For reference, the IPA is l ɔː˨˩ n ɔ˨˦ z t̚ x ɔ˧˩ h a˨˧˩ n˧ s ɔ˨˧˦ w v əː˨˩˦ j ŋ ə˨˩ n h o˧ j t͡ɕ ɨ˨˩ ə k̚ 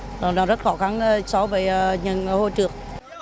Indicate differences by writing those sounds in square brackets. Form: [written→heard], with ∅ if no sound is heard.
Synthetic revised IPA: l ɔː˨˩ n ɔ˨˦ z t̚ x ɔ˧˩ [h→x] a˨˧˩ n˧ s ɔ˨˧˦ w v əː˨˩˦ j [ŋ→ɲ] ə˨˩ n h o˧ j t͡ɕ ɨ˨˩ ə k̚